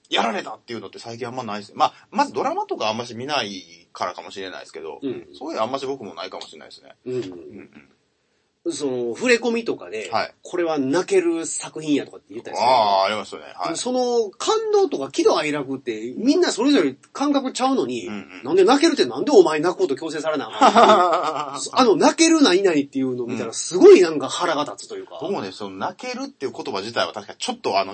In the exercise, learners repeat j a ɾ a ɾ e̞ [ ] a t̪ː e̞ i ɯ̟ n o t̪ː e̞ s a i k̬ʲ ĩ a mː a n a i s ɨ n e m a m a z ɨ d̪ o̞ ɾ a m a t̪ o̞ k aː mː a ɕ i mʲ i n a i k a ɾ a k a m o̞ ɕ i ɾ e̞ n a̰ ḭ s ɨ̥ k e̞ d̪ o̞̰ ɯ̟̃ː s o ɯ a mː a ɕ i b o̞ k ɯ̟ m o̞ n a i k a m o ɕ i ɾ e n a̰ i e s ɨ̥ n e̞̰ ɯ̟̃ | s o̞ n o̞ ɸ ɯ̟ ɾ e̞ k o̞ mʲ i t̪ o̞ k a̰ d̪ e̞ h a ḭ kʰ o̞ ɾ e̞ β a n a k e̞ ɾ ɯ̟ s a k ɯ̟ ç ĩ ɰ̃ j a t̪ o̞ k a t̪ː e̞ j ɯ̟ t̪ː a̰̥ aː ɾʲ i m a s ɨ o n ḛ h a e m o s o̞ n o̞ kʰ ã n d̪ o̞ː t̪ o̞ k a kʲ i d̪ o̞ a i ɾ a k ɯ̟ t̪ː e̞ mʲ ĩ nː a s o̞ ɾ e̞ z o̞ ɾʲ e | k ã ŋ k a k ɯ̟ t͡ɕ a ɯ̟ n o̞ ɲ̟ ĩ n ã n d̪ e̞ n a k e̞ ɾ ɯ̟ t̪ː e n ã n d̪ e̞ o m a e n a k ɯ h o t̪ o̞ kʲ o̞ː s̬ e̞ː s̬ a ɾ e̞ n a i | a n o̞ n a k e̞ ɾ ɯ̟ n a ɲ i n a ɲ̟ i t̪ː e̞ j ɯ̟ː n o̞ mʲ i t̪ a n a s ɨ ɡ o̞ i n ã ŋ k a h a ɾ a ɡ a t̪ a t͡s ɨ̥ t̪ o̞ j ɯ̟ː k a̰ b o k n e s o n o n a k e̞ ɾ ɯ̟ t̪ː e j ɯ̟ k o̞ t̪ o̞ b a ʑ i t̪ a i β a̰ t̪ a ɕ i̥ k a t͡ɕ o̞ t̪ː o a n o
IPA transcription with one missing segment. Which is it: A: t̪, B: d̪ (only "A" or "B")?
A